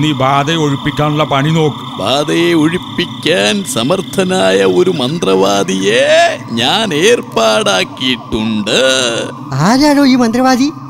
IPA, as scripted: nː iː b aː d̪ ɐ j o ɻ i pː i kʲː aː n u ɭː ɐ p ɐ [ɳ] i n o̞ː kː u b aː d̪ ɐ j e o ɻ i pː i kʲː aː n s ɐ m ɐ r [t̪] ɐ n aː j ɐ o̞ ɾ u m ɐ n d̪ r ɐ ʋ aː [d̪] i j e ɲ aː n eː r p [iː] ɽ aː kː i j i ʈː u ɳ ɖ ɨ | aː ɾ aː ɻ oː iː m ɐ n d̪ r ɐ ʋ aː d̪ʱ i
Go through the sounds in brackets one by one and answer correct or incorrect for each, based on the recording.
correct, incorrect: t̪ʰ, correct, incorrect: aː

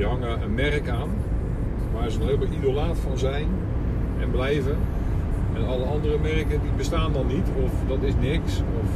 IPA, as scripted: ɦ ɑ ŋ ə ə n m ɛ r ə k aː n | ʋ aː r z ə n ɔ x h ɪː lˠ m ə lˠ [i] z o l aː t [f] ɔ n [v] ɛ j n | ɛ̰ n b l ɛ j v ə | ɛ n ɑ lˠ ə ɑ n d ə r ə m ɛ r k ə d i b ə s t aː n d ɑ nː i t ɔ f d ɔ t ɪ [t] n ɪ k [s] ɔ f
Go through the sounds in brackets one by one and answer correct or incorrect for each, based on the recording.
correct, correct, incorrect: z, incorrect: s, correct

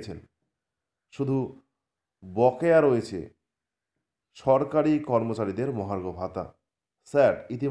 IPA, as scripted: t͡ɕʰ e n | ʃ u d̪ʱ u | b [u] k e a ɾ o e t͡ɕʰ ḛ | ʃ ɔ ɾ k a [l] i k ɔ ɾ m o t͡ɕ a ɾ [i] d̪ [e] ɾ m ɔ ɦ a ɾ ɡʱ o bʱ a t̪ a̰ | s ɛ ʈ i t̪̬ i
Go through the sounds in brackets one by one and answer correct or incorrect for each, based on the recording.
incorrect: ɔ, incorrect: ɾ, correct, correct

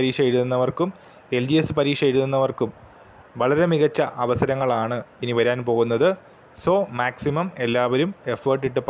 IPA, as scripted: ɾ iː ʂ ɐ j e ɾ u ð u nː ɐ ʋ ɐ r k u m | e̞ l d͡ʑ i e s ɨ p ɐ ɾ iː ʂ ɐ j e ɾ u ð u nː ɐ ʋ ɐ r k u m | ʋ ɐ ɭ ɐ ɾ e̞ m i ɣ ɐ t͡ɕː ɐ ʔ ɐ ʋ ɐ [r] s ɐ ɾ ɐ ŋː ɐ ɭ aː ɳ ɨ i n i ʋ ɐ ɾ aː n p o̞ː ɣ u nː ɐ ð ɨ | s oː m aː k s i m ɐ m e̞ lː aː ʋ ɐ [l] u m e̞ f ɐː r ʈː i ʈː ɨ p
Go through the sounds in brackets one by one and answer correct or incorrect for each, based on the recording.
incorrect: none, incorrect: ɾ

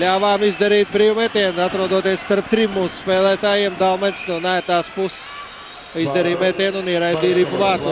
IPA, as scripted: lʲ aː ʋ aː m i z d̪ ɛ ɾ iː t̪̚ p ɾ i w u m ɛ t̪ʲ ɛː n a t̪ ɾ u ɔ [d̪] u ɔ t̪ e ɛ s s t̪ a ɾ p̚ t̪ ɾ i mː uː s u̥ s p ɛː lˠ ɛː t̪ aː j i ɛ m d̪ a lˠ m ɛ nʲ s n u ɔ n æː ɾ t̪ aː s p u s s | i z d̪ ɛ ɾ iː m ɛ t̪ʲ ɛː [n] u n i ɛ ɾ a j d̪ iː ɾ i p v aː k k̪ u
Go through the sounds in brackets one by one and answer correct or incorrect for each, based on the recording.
correct, correct

